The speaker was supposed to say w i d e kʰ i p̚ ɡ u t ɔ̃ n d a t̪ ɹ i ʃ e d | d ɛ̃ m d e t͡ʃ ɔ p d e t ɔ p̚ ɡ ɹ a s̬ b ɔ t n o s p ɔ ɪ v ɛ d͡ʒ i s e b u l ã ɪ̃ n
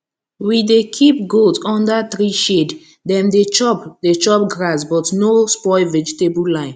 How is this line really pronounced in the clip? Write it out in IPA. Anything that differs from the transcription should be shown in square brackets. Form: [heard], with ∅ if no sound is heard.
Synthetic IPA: w i d e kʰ i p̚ ɡ [o] t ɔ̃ n d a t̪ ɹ i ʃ e d | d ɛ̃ m d e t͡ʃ ɔ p d e [t͡ʃ] ɔ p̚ ɡ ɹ a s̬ b ɔ t n o s p ɔ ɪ v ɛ d͡ʒ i [t] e b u l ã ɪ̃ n